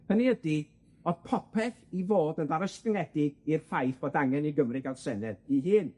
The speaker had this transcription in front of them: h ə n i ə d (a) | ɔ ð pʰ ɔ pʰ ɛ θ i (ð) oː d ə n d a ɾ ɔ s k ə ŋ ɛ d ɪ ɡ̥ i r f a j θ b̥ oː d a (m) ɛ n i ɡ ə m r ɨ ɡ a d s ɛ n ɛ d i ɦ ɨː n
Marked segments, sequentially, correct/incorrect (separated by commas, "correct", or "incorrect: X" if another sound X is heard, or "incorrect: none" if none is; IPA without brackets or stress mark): incorrect: i, incorrect: v, incorrect: ŋ